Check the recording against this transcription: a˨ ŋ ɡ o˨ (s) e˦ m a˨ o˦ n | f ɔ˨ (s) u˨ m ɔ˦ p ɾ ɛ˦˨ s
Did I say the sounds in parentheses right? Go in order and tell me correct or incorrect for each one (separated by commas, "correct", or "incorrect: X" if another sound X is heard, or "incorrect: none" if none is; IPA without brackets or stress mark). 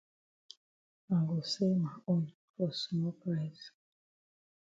correct, correct